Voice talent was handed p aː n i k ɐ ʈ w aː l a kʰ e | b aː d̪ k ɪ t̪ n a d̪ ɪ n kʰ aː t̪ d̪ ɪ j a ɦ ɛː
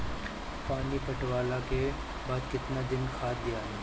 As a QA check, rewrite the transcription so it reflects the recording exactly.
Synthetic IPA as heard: p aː n i p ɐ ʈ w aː l a k e | b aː d̪ k ɪ t̪ n a d̪ ɪ n kʰ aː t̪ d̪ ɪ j a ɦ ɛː